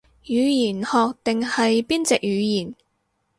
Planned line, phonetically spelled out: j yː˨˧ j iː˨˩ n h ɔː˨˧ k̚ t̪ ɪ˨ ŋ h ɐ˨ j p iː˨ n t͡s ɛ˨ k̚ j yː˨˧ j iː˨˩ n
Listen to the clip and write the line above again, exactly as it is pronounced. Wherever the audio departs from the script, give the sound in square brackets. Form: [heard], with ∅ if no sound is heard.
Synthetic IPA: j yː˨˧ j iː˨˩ n h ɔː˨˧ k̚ t̪ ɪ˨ ŋ h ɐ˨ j p [iː˥] n t͡s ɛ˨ k̚ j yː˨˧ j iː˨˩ n